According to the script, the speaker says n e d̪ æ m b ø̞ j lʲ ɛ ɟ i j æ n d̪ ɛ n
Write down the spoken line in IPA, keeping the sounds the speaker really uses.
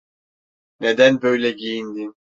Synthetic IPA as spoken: n e d̪ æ n b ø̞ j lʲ ɛ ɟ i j i n d̪ i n